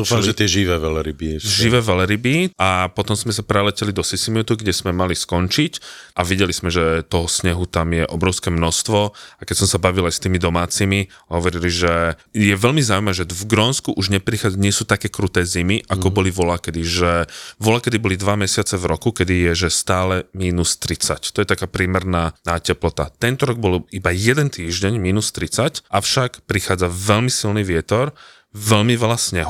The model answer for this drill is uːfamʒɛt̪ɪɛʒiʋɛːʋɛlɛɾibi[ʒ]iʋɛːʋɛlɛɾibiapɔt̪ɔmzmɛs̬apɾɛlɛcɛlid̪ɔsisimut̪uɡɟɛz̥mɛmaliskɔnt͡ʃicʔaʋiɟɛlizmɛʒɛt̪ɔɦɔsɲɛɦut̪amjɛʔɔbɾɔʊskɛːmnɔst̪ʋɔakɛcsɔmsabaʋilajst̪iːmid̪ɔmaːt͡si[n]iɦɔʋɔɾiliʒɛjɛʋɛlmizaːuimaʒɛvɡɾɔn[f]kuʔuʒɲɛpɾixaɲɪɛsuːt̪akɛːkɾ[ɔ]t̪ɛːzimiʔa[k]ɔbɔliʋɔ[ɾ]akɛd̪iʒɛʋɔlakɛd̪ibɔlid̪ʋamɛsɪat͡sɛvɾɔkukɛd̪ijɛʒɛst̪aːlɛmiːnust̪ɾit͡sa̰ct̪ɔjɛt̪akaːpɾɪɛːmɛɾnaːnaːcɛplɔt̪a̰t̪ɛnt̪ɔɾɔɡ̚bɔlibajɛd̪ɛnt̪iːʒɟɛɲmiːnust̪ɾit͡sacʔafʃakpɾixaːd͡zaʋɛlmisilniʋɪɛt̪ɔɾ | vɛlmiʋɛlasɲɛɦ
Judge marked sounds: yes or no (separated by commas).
yes, no, no, no, yes, no